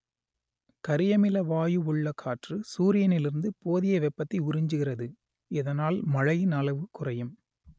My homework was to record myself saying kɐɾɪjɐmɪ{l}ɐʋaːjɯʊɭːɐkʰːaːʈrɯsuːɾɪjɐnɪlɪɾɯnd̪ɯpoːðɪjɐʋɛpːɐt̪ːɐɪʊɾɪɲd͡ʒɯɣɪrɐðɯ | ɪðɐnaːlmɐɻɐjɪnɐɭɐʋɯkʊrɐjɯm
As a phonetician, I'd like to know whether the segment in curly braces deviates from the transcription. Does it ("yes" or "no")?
no